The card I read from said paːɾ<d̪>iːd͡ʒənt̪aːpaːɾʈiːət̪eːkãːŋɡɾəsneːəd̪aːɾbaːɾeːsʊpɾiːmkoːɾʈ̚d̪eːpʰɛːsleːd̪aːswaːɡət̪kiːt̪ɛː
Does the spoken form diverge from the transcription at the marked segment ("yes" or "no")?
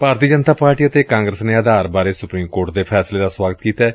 yes